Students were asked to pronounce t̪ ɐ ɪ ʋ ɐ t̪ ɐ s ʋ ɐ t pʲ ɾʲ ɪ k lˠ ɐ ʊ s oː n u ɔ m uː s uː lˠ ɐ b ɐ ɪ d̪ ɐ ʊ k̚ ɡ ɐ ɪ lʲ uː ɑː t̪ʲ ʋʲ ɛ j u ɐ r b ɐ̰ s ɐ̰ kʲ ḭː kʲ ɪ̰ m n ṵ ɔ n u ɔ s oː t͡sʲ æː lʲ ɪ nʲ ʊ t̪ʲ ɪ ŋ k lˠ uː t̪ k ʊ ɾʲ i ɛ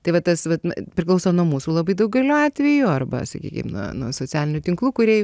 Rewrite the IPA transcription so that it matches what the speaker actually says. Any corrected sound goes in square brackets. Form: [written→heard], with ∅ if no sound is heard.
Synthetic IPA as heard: t̪ ɐ ɪ ʋ ɐ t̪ ɐ s ʋ ɐ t pʲ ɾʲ ɪ k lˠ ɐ ʊ s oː n u ɔ m uː s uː lˠ ɐ b ɐ ɪ d̪ ɐ ʊ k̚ ɡ ɐ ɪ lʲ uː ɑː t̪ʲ ʋʲ ɛ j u ɐ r b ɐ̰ s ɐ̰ kʲ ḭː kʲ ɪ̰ m n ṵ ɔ n u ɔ s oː t͡sʲ æː lʲ ɪ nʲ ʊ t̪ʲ ɪ ŋ k lˠ uː [t̪→∅] k ʊ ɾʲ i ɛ